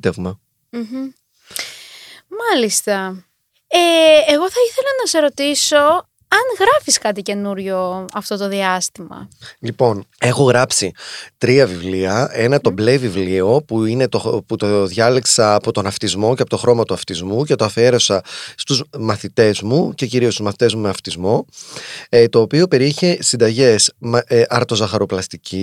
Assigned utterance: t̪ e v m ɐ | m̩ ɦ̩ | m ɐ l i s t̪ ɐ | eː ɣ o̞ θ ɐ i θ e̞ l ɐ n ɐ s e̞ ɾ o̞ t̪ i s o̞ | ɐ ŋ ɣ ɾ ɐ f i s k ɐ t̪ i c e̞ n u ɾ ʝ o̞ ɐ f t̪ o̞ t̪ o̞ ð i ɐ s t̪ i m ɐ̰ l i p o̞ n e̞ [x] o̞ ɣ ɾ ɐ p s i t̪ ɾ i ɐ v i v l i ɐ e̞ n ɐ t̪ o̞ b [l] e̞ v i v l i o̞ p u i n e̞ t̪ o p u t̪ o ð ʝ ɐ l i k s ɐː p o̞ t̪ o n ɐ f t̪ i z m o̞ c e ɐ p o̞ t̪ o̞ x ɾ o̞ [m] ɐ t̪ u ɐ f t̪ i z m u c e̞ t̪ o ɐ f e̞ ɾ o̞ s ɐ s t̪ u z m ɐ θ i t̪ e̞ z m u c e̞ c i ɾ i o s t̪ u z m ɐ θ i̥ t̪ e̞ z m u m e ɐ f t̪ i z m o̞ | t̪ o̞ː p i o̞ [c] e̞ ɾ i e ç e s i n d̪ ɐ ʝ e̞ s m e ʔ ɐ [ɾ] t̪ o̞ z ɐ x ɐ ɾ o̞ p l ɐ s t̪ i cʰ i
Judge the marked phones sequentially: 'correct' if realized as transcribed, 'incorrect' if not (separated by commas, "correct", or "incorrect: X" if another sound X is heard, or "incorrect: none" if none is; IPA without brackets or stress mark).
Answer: correct, correct, correct, incorrect: p, correct